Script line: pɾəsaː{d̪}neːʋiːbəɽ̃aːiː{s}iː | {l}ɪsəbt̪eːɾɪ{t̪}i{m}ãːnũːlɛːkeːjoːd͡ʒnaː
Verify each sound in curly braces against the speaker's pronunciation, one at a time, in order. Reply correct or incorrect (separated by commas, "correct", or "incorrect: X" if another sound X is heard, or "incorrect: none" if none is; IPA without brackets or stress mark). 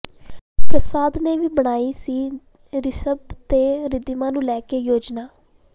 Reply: correct, correct, incorrect: ɾ, incorrect: d̪, correct